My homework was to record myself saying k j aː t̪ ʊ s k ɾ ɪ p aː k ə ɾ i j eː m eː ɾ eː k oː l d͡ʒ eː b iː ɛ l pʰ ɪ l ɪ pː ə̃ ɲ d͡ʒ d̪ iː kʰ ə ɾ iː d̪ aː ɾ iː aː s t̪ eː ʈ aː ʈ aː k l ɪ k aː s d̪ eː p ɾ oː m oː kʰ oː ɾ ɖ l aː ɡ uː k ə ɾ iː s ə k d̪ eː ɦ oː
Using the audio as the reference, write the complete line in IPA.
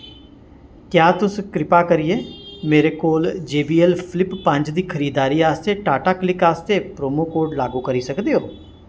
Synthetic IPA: k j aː t̪ ʊ s k ɾ ɪ p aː k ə ɾ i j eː m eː ɾ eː k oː l d͡ʒ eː b iː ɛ l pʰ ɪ l ɪ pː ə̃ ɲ d͡ʒ d̪ iː kʰ ə ɾ iː d̪ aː ɾ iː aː s t̪ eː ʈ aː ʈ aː k l ɪ k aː s t̪ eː p ɾ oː m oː k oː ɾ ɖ l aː ɡ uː k ə ɾ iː s ə k d̪ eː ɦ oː